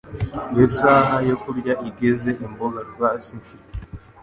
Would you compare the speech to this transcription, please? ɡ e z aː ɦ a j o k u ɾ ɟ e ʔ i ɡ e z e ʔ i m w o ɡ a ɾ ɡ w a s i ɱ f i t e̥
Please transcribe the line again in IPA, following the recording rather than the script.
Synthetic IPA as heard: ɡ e s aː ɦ a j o k u ɾ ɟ a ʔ i ɡ e z e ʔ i m b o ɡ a ɾ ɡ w a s i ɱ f i t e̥